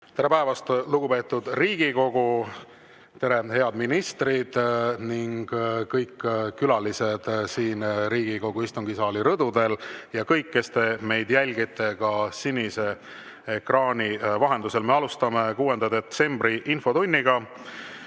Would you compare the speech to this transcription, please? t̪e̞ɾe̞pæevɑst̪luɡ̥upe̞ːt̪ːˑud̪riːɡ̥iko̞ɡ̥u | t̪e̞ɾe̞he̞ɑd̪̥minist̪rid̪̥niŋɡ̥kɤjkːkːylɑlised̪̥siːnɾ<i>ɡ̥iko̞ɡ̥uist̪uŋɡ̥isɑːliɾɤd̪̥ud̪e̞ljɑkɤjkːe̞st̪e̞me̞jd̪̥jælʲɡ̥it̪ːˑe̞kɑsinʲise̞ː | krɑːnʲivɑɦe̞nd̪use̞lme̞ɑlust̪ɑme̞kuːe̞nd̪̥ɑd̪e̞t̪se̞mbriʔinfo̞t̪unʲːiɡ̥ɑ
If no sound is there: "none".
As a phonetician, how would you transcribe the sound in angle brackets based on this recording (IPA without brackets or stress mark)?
iː